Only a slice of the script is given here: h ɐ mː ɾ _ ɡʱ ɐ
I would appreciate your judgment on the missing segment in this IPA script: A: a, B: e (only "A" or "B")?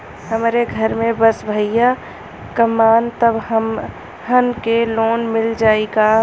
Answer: B